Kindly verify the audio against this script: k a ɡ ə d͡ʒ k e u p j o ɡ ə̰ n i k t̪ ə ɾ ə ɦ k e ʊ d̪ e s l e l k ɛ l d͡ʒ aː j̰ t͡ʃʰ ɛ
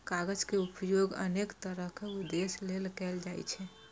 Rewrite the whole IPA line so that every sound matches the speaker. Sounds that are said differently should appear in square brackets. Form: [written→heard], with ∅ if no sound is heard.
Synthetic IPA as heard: k a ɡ ə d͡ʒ k e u p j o ɡ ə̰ n [i→e] k t̪ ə ɾ ə ɦ k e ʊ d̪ e s l e l k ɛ l d͡ʒ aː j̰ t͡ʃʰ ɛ